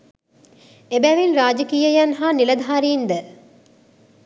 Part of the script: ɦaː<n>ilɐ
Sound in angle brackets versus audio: correct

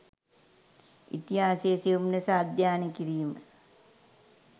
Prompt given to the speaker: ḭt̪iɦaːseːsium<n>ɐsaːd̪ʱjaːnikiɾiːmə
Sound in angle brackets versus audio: correct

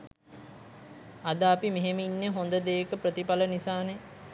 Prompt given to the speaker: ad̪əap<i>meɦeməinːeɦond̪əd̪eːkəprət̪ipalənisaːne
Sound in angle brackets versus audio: correct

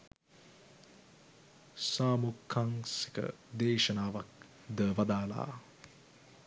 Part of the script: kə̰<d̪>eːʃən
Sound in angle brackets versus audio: correct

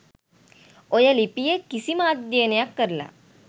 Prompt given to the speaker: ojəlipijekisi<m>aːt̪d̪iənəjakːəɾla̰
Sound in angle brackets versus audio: correct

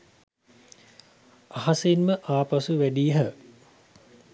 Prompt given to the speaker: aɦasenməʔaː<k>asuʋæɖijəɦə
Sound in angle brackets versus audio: incorrect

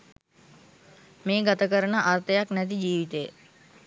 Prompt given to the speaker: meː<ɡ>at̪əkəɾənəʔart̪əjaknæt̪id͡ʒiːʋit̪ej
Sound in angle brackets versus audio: correct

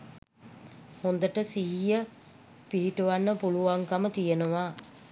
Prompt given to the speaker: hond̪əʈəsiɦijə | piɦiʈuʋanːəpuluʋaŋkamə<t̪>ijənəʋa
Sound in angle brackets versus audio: correct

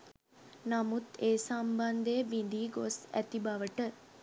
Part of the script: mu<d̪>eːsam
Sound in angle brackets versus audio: incorrect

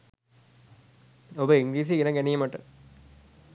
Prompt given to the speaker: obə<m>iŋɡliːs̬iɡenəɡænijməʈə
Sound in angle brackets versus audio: incorrect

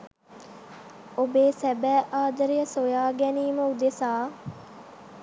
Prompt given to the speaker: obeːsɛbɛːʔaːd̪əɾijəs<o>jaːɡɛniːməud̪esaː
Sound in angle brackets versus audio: correct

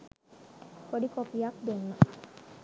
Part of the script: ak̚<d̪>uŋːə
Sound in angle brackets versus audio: correct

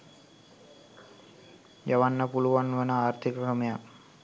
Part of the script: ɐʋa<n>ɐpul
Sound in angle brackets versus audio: incorrect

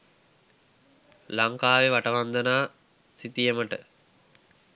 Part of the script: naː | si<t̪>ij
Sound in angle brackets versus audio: correct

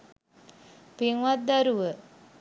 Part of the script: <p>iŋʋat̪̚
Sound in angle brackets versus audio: correct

